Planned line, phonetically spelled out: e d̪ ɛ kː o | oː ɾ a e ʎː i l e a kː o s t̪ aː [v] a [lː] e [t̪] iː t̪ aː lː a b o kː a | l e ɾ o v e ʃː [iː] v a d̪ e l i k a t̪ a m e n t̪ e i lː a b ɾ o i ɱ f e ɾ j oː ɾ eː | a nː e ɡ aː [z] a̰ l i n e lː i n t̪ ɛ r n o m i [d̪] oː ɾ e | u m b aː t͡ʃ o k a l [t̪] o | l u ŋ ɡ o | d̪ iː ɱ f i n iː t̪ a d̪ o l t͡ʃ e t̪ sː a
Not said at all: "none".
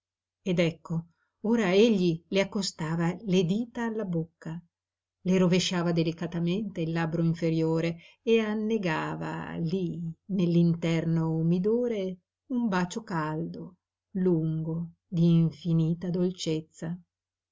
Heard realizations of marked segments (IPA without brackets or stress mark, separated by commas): v, l, d̪, aː, v, d̪, d̪